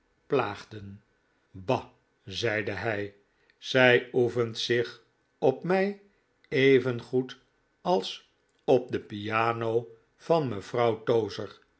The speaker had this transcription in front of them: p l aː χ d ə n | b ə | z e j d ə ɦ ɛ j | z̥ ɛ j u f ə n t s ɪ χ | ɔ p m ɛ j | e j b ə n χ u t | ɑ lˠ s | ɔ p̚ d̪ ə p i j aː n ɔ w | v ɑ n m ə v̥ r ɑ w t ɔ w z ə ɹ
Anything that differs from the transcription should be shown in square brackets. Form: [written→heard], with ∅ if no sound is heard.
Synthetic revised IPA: p l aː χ d ə n | b [ə→ɑ] | z [e→ɛ] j d ə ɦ ɛ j | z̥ ɛ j u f ə n t s ɪ χ | ɔ p m ɛ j | e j [b→v] ə n χ u t | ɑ lˠ s | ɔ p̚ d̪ ə p i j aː n [ɔ→o] w | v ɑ n m ə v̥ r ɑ w t [ɔ→o] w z ə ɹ